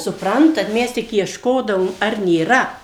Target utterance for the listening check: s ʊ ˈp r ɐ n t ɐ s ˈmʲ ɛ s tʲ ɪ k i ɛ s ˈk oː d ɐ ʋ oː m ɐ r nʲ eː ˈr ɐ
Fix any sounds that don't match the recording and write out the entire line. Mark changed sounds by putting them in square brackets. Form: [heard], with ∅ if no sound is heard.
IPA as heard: s ʊ ˈp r ɐ n t ɐ [t] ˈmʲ ɛ s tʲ ɪ k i ɛ [ʃ] ˈk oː d ɐ ʋ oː m ɐ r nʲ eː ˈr ɐ